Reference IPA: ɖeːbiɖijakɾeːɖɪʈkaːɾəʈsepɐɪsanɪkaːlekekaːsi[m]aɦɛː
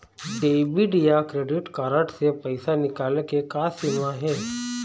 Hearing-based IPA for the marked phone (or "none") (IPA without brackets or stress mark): m